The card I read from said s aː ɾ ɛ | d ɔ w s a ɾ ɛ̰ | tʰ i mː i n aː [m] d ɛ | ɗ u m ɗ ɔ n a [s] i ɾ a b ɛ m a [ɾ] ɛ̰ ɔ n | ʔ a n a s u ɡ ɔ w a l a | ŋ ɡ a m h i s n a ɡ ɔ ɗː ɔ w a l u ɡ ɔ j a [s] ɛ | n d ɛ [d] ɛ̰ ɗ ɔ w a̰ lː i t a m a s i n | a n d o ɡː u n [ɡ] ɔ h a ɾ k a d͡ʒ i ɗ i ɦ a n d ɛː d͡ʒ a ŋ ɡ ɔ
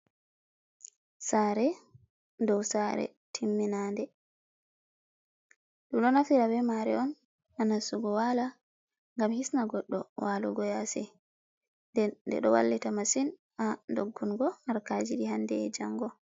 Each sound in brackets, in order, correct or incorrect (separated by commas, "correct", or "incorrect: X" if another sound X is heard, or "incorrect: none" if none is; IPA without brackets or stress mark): incorrect: n, incorrect: f, correct, correct, correct, correct